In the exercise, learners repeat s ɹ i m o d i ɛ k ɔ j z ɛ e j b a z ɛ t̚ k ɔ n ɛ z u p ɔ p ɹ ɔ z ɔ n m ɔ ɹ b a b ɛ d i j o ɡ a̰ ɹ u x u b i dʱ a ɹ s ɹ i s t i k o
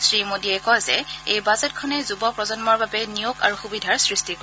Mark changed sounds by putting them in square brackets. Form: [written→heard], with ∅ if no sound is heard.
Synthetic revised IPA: s ɹ i m o d i ɛ k ɔ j z ɛ e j b a z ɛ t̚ [k→kʰ] ɔ n ɛ z u [p→b] ɔ p ɹ ɔ z ɔ n m ɔ ɹ b a b ɛ [d→n] i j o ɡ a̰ ɹ u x u b i dʱ a ɹ s ɹ i s t i k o